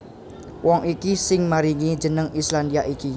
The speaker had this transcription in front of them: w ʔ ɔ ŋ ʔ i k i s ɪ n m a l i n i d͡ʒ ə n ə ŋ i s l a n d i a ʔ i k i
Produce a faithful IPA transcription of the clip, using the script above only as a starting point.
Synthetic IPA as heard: w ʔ ɔ ŋ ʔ i k i s ɪ ŋ m a ɾ i ŋ i d͡ʒ ə n ə ŋ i s l a n d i a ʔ i k i